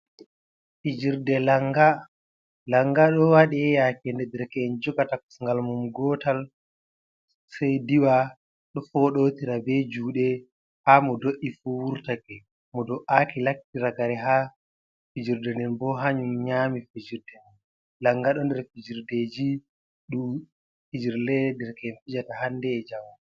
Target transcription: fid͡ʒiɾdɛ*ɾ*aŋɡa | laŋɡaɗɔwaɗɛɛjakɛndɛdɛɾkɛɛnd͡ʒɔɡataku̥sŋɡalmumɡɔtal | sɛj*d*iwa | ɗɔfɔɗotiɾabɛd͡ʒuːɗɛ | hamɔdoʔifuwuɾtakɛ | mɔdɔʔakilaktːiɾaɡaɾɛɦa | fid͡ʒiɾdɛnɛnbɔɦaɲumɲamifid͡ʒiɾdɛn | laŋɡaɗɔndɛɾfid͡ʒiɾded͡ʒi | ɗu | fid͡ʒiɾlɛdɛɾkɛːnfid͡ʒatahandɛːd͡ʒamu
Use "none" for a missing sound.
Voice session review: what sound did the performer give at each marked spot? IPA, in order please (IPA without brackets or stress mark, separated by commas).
l, d